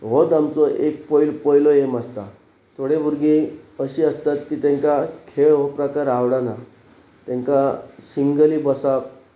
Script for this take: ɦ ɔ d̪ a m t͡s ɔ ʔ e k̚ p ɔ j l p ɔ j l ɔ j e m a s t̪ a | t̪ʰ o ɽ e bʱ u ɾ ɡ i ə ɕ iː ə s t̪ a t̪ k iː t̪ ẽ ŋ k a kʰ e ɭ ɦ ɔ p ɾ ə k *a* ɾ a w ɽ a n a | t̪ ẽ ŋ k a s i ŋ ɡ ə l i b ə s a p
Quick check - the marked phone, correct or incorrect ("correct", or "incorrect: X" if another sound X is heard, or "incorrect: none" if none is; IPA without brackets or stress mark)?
correct